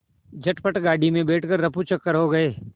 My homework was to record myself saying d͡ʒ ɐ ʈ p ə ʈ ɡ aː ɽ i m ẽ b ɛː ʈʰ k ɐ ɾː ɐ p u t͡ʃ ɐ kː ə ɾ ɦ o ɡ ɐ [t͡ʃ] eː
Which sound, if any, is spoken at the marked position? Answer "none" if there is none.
none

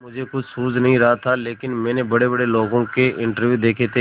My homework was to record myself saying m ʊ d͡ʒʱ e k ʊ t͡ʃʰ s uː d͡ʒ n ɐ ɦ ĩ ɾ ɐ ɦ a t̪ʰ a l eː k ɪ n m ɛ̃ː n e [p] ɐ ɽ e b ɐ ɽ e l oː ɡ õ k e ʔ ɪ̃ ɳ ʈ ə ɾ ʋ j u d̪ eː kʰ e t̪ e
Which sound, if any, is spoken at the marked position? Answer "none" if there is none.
b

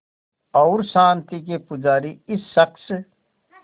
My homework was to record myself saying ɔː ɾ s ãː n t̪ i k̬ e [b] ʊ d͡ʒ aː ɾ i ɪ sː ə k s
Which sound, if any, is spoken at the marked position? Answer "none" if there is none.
p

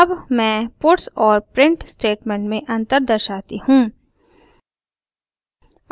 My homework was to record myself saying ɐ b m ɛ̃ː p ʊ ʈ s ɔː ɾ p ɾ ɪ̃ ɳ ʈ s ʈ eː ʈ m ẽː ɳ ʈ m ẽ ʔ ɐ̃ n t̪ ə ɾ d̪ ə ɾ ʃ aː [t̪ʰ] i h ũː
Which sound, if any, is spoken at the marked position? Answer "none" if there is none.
t̪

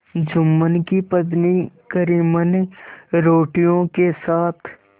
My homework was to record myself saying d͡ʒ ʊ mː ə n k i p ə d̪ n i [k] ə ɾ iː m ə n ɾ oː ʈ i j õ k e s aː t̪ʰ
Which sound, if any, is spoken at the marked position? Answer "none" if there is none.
k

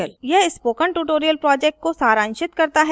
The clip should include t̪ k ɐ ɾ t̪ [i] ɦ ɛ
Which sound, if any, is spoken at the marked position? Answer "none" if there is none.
a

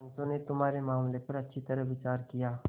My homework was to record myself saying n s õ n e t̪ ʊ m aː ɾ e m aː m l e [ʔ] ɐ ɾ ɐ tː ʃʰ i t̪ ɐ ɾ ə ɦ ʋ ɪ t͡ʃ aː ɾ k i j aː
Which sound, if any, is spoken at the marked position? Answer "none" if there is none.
p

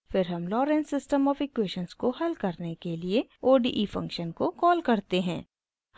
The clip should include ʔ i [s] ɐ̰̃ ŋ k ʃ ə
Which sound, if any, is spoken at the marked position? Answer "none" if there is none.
f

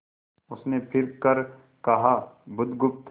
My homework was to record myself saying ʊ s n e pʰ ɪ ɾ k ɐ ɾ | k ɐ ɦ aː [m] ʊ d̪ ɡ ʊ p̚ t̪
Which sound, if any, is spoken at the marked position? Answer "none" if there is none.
b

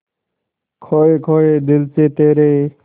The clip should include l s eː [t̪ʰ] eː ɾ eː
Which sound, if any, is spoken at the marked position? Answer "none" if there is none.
t̪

